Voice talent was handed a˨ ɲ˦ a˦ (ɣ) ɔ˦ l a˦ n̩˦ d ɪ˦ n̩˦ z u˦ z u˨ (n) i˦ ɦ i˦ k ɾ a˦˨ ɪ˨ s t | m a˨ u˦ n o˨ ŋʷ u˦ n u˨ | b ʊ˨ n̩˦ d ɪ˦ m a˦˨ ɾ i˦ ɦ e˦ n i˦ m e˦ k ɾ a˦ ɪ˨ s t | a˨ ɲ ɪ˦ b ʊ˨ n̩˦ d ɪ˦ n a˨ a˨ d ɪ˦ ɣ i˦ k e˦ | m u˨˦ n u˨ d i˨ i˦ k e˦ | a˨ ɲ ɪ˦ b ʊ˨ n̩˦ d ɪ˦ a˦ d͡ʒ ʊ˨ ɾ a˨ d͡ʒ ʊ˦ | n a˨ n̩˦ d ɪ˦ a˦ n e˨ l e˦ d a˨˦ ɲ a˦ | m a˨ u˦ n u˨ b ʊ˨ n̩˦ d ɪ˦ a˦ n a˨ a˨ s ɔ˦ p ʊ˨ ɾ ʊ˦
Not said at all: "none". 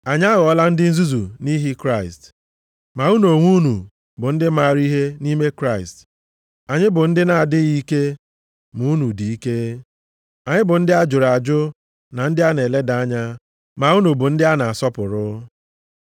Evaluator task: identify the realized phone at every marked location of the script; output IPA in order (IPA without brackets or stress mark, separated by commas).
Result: ɣ, n